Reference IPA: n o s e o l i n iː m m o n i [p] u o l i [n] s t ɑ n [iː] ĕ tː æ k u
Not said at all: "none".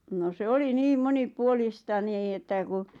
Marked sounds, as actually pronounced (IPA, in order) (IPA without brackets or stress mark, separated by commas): p, none, iː